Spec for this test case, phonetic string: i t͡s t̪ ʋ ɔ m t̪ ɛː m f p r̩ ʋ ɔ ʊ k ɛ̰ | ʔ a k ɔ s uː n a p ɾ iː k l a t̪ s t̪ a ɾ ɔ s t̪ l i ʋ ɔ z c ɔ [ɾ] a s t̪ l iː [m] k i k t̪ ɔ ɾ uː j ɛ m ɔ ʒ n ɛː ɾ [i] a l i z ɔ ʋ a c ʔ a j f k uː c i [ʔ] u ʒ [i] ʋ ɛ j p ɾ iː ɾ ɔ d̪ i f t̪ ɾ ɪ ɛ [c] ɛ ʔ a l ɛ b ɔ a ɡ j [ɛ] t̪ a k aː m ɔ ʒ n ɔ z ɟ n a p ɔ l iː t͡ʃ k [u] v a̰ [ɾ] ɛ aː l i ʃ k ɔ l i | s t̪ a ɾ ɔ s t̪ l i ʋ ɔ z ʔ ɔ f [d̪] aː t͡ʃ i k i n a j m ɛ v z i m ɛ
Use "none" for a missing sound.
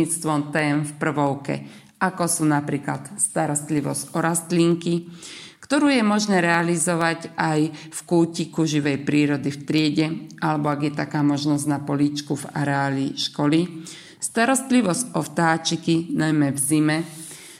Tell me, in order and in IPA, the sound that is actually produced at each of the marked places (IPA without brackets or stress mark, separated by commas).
ɾ, ŋ, ɛ, k, i, ɟ, ɛ, u, ɾ, t̪